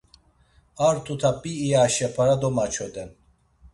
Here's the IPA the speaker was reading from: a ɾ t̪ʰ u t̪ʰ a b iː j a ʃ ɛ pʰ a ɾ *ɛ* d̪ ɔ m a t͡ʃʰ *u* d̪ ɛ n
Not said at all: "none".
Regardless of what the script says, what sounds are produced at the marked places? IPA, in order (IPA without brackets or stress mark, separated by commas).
a, ɔ